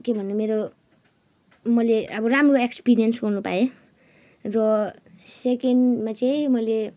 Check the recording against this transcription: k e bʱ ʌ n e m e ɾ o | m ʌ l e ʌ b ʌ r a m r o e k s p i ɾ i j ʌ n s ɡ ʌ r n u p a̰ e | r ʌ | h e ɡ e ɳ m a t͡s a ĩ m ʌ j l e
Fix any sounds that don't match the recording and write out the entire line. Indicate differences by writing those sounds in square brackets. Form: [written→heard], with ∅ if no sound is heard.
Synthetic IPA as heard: k e bʱ ʌ n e m e ɾ o | m ʌ l e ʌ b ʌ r a m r o e k s p i ɾ i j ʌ n s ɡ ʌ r n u p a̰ e | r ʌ | [h→s] e [ɡ→k] e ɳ m a t͡s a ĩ m ʌ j l e